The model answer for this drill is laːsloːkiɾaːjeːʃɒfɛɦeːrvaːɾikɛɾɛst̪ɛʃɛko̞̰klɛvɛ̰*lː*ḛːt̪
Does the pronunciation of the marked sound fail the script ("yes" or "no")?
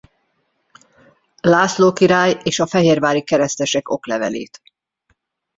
yes